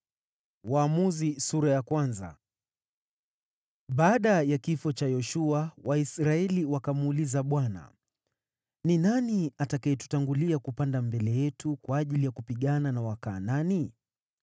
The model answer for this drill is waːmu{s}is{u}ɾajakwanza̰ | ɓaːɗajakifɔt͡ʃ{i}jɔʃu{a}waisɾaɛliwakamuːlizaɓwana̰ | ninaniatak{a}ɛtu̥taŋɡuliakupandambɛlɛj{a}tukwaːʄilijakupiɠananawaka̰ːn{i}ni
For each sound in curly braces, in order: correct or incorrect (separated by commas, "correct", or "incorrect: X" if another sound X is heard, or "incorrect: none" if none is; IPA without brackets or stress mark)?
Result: incorrect: z, correct, incorrect: a, correct, correct, incorrect: ɛ, incorrect: a